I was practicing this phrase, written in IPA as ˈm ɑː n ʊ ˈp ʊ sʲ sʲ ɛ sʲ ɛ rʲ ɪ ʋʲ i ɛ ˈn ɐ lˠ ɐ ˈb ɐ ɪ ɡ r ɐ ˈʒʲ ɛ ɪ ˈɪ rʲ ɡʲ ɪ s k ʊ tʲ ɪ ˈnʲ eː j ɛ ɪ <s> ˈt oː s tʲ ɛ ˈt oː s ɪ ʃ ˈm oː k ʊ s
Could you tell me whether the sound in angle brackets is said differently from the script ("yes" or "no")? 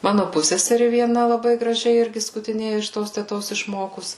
yes